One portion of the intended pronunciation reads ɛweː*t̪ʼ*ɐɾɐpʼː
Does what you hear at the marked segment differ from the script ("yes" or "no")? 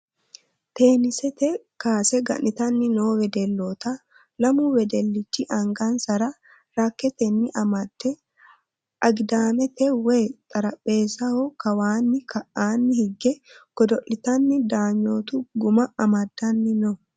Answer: no